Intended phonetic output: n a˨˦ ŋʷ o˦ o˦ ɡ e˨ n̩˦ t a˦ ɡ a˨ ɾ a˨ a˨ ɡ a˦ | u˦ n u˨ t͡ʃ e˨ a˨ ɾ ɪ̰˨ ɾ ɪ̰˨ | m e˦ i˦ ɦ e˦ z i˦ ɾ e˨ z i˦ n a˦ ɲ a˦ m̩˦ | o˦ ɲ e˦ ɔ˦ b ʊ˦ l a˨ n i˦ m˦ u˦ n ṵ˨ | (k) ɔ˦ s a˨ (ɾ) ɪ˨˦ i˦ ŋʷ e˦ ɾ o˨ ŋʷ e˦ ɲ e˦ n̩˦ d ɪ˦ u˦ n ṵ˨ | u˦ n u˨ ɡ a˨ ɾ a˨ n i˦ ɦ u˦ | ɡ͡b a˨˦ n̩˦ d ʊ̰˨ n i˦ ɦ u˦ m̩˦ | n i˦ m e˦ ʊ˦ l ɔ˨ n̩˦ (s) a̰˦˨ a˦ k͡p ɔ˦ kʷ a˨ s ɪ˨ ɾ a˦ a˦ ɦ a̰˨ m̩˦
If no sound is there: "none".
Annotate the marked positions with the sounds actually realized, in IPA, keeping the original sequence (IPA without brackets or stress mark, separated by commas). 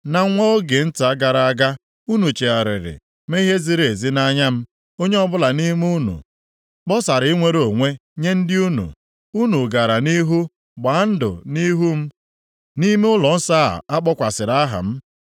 k͡p, ɾ, s